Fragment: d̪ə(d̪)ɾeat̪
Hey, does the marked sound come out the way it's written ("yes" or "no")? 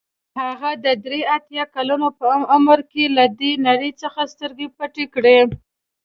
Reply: yes